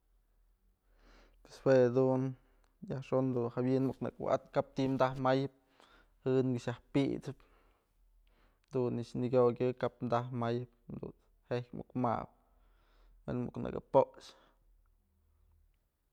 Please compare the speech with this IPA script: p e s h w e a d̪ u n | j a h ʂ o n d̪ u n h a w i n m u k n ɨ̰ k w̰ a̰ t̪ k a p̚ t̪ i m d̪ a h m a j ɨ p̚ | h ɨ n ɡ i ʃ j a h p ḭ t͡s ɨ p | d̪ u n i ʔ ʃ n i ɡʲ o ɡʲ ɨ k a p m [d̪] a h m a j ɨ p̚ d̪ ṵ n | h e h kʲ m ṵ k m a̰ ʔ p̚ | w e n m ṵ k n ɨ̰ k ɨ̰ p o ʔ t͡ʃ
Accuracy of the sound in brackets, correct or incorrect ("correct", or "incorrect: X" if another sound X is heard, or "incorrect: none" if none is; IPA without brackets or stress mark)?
correct